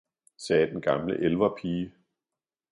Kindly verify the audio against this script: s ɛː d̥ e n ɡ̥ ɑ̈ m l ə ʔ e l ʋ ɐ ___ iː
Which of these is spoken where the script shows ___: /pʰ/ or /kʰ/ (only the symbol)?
pʰ